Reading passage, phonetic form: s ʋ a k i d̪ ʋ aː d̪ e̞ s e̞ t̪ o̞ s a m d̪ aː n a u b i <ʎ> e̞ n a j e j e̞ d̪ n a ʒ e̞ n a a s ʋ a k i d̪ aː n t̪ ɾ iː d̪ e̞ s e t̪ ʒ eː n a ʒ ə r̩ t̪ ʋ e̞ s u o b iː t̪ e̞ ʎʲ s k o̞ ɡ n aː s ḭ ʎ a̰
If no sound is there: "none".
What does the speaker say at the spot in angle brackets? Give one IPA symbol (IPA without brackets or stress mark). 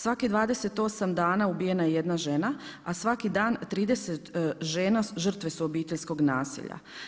j